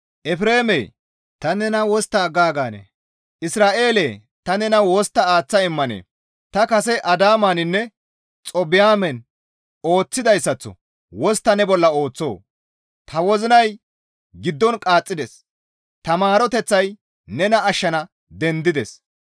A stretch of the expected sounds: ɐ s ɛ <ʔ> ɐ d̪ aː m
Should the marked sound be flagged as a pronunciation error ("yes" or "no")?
no